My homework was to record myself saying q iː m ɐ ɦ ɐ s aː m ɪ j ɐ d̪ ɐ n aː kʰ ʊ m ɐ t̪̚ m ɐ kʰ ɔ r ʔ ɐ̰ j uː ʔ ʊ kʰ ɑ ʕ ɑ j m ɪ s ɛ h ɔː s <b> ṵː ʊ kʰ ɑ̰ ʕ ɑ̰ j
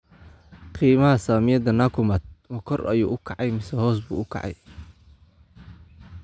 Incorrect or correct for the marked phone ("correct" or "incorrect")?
correct